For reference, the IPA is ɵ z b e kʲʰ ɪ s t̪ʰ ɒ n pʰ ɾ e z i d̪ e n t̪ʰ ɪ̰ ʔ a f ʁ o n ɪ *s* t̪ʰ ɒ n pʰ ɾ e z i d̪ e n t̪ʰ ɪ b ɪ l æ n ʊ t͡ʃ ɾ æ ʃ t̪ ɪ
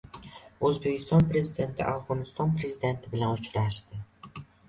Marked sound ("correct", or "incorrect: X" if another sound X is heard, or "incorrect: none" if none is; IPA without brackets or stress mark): correct